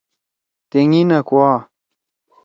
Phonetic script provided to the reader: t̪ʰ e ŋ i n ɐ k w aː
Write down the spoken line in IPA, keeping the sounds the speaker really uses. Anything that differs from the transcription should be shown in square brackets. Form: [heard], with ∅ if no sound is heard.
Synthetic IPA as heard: [t̪] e ŋ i n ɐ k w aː